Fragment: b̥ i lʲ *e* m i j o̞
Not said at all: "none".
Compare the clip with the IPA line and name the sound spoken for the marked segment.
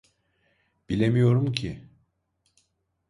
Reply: e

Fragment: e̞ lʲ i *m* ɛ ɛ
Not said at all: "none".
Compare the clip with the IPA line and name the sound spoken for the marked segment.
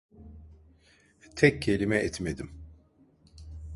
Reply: m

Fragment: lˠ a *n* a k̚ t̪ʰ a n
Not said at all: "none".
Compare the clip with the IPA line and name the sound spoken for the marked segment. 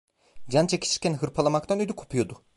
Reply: m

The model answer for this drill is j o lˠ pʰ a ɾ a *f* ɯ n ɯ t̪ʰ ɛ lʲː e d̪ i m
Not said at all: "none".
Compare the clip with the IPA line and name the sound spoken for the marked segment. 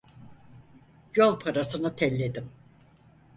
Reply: s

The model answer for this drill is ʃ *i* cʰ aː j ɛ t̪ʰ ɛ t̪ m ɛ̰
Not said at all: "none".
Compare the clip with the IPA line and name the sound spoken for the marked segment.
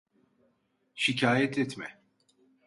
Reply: i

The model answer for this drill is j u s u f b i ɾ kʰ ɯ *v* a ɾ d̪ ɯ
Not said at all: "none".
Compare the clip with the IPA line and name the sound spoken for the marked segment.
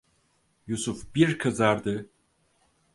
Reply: z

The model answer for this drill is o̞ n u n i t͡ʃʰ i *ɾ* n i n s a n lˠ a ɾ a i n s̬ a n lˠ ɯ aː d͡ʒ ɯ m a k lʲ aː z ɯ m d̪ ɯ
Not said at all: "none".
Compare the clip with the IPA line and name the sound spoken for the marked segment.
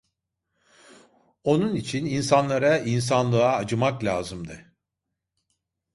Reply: none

